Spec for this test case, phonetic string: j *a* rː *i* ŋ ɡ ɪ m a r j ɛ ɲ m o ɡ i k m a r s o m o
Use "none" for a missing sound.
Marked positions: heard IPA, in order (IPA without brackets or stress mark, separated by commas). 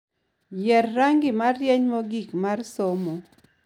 ɛ, a